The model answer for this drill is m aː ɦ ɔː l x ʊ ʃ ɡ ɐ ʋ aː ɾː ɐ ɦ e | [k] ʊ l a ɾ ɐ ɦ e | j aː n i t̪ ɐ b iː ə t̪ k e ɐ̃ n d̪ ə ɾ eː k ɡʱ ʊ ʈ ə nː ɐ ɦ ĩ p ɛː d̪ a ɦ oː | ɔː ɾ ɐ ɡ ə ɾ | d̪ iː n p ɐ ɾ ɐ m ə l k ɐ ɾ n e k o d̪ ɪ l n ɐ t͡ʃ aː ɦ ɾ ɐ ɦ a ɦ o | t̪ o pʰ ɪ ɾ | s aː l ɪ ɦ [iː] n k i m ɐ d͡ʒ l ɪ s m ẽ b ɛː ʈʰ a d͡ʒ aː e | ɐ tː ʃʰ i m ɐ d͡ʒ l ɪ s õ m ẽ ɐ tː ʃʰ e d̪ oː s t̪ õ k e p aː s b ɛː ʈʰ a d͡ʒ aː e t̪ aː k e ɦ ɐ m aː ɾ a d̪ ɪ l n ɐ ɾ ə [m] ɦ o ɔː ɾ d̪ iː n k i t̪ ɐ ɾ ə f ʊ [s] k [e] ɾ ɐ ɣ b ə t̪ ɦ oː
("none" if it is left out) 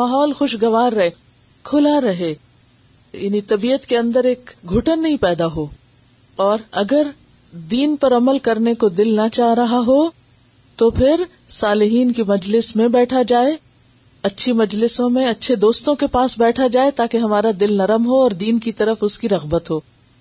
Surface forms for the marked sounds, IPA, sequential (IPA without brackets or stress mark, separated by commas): kʰ, iː, m, s, i